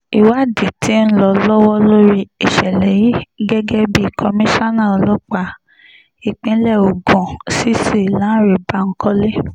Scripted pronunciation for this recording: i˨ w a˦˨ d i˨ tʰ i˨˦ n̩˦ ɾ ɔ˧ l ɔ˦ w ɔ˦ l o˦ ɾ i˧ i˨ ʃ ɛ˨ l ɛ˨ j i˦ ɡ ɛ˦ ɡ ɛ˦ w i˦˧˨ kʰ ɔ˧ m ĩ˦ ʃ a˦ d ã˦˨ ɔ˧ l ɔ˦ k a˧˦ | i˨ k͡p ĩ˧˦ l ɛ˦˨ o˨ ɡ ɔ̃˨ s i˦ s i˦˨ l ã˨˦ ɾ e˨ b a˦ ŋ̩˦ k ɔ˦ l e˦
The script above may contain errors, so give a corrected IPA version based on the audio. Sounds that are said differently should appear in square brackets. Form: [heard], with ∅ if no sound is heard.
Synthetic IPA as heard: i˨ w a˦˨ d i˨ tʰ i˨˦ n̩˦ [l] ɔ˧ l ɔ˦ w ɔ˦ l o˦ ɾ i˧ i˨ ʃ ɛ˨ l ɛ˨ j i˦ ɡ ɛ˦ ɡ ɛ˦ [b] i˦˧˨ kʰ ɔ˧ m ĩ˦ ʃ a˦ [n] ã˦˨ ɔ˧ l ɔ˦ [k͡p] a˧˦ | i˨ k͡p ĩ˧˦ l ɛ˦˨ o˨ ɡ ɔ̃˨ s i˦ s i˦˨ l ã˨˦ ɾ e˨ b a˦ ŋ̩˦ k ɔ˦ l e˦